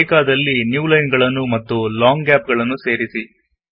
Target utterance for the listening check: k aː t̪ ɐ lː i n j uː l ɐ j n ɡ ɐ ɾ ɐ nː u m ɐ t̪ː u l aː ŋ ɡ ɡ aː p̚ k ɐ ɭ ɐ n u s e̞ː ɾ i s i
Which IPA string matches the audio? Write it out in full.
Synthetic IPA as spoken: k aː d̪ ɐ lː i n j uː l ɐ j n ɡ ɐ ɭ ɐ nː u m ɐ t̪ː u l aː ŋ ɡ ɡ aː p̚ ɡ ɐ ɭ ɐ nː u s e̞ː ɾ i s i